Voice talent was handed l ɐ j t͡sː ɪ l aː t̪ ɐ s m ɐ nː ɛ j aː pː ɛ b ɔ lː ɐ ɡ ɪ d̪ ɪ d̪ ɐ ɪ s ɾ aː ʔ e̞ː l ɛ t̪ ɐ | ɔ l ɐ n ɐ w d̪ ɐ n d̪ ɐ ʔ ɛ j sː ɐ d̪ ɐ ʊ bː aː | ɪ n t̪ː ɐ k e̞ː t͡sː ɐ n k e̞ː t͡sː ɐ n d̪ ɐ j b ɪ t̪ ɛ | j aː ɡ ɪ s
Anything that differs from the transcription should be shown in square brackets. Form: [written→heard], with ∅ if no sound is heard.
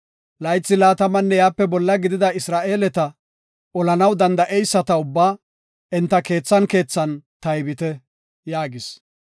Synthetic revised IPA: l ɐ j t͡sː ɪ l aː t̪ ɐ [s→∅] m ɐ nː ɛ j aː pː ɛ b ɔ lː ɐ ɡ ɪ d̪ ɪ d̪ ɐ ɪ s ɾ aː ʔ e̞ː l ɛ t̪ ɐ | ɔ l ɐ n ɐ w d̪ ɐ n d̪ ɐ ʔ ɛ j sː ɐ [d̪→t̪] ɐ ʊ bː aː | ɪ n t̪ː ɐ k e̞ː t͡sː ɐ n k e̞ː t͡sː ɐ n [d̪→t̪] ɐ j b ɪ t̪ ɛ | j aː ɡ ɪ s